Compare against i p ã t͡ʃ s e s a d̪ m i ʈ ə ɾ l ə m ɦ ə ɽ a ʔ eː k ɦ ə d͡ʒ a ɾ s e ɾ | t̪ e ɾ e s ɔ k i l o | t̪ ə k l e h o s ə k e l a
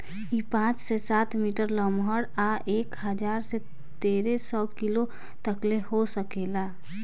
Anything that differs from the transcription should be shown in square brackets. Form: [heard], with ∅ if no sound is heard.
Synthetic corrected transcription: i p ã t͡ʃ s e s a [t̪] m i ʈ ə ɾ l ə m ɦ ə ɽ a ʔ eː k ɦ ə d͡ʒ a ɾ s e [∅] | t̪ e ɾ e s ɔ k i l o | t̪ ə k l e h o s ə k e l a